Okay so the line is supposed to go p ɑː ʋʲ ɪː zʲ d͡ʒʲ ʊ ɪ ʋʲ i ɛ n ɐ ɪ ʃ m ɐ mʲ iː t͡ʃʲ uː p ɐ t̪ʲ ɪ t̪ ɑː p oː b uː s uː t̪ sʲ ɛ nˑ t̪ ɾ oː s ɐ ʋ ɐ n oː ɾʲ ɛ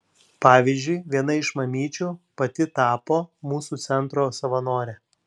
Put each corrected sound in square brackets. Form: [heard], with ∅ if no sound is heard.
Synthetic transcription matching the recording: p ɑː ʋʲ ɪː zʲ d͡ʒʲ ʊ ɪ ʋʲ i ɛ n ɐ ɪ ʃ m ɐ mʲ iː t͡ʃʲ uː p ɐ t̪ʲ ɪ t̪ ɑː p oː [m] uː s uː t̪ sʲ ɛ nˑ t̪ ɾ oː s ɐ ʋ ɐ n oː ɾʲ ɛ